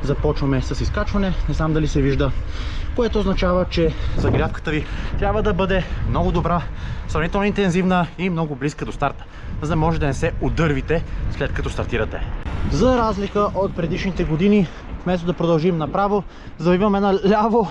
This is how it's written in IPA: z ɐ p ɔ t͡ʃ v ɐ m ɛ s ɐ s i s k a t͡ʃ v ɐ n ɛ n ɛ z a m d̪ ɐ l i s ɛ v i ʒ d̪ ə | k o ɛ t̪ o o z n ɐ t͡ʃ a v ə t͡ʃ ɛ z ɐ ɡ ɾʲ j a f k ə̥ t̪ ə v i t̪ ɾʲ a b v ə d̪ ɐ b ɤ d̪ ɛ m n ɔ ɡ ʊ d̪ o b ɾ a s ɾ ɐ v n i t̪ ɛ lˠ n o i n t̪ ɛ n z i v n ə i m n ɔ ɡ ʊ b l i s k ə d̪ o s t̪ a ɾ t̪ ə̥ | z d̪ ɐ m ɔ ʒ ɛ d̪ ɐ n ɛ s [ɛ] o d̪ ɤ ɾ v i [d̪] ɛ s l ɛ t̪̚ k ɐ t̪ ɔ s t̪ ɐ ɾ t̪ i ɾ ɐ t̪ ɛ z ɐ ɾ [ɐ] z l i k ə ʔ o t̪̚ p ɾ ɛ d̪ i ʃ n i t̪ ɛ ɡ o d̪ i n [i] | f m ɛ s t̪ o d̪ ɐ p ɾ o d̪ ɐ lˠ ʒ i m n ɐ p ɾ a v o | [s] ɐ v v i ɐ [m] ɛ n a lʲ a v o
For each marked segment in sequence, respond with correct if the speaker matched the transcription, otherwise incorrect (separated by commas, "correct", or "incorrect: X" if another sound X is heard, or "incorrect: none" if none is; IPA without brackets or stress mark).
correct, incorrect: t̪, incorrect: a, correct, incorrect: z, correct